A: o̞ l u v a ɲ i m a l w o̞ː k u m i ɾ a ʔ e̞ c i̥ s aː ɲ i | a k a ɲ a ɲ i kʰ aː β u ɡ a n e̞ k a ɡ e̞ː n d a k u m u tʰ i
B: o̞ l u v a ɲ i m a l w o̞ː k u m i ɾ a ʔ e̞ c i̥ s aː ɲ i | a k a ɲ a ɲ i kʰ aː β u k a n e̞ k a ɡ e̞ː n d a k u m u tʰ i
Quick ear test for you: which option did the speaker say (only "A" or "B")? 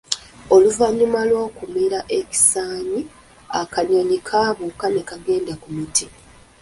B